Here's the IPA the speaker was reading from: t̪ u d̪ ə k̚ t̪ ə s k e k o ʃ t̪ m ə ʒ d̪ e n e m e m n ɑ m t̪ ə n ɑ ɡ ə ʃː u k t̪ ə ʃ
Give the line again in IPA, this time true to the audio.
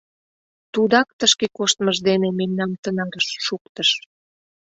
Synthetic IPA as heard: t̪ u d̪ ɑ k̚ t̪ ə ʃ k e k o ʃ t̪ m ə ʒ d̪ e n e m e m n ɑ m t̪ ə n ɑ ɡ ə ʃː u k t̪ ə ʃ

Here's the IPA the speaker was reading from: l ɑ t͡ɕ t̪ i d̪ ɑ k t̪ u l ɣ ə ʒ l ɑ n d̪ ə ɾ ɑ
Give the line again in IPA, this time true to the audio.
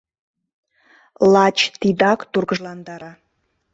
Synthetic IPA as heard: l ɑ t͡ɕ t̪ i d̪ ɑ k t̪ u r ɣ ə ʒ l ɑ n d̪ ɑ ɾ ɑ

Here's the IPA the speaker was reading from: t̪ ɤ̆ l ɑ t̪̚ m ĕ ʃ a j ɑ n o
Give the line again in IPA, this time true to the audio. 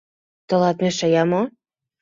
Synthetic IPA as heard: t̪ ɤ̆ l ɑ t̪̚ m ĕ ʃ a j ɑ m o

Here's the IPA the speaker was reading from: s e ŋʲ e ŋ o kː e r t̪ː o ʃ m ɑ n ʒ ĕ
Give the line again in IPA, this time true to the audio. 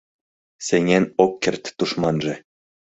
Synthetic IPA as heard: s e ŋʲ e n o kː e r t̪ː u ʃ m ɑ n ʒ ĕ

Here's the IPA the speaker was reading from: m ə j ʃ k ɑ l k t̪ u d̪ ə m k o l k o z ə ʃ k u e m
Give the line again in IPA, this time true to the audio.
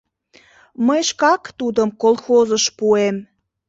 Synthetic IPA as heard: m ə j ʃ k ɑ k t̪ u d̪ ə m k o l x o z ə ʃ p u e m

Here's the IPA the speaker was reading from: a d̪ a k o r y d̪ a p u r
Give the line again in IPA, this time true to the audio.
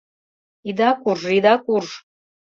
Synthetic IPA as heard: i d̪ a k u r i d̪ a k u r

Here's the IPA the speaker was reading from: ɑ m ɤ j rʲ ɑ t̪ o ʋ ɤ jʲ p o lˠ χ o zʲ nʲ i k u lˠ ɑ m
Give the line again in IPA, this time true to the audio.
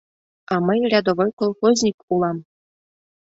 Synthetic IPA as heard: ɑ m ɤ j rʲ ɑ d̪ o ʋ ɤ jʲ k o lˠ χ o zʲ nʲ i k u lˠ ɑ m

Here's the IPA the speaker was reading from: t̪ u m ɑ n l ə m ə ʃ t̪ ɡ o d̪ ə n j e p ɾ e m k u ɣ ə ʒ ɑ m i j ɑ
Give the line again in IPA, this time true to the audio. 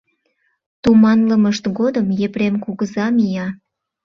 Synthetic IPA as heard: t̪ u m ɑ n l ə m ə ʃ t̪ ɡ o d̪ ə m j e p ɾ e m k u ɣ ə z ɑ m i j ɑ

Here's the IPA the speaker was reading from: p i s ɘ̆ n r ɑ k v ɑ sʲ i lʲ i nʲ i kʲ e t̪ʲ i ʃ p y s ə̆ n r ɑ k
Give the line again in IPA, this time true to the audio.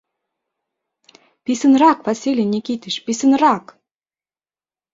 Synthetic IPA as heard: p i s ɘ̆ n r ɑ k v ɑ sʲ i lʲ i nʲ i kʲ i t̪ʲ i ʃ p i s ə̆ n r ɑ k

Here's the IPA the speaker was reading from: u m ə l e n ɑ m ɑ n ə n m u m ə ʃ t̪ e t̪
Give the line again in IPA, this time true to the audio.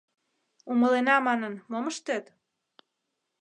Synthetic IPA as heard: u m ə l e n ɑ m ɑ n ə n m o m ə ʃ t̪ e t̪

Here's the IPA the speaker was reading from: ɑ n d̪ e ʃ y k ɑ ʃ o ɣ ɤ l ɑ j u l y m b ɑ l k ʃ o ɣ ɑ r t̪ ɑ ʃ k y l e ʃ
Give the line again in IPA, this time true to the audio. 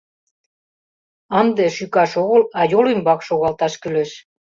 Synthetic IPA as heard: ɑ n d̪ e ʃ y k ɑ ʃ o ɣ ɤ l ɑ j o l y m b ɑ k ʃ o ɣ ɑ l t̪ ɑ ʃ k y l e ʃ

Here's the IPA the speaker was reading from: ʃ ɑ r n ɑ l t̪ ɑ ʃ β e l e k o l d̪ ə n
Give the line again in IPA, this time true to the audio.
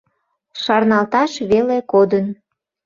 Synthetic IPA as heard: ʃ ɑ r n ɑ l t̪ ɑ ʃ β e l e k o d̪ ə n

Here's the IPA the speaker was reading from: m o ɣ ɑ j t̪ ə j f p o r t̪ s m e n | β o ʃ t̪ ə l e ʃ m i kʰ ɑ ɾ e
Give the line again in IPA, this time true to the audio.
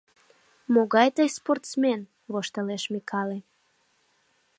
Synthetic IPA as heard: m o ɣ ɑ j t̪ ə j s p o r t̪ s m e n | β o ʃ t̪ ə l e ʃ m i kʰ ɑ l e

